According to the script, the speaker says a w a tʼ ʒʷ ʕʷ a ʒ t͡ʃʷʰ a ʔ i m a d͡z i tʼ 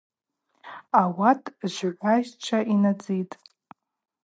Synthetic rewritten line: a w a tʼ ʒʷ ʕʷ a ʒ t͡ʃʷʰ a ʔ i n a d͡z i tʼ